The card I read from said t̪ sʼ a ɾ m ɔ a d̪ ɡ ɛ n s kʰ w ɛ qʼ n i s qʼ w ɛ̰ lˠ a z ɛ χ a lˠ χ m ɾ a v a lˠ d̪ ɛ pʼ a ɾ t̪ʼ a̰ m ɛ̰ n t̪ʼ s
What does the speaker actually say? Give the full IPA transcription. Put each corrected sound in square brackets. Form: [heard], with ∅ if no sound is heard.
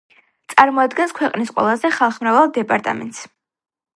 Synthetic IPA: t̪ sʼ a ɾ m ɔ a d̪ ɡ ɛ n s kʰ w ɛ qʼ n i s qʼ w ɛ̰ lˠ a z ɛ χ a lˠ χ m ɾ a v a lˠ d̪ ɛ pʼ a ɾ t̪ʼ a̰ m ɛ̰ n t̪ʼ s